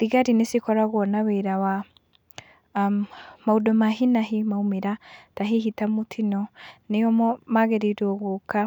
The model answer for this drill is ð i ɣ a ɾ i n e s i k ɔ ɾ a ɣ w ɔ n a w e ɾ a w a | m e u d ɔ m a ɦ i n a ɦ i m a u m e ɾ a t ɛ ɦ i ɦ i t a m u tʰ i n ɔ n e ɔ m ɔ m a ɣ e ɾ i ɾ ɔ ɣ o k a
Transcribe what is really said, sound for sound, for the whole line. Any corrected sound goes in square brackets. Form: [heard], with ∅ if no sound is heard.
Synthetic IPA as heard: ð i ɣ a ɾ i n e s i k ɔ ɾ a ɣ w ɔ n a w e ɾ a w a | m [a] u d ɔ m a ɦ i n a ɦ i m a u m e ɾ a t [a] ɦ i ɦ i t a m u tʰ i n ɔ n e ɔ m ɔ m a ɣ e ɾ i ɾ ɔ ɣ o k a